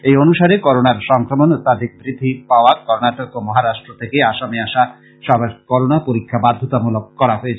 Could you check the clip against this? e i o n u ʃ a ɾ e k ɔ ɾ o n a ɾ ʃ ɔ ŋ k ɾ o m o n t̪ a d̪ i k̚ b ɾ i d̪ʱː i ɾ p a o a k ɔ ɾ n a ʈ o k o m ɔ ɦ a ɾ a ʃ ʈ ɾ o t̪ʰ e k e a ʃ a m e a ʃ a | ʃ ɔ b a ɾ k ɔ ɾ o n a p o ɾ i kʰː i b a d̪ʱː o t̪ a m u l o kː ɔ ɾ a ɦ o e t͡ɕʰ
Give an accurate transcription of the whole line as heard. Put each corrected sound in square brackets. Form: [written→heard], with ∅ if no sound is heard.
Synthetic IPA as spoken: e [i→j] o n u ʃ a ɾ e k ɔ ɾ o n a ɾ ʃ ɔ ŋ k ɾ o m o n t̪ a d̪ i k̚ b ɾ i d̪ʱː i [ɾ→∅] p a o a k ɔ ɾ n a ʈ o k o m ɔ ɦ a ɾ a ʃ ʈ ɾ o t̪ʰ e k e a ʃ a m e a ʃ a | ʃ ɔ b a ɾ k ɔ ɾ o n a p o ɾ i kʰː [i→a] b a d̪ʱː o t̪ a m u l o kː ɔ ɾ a ɦ o e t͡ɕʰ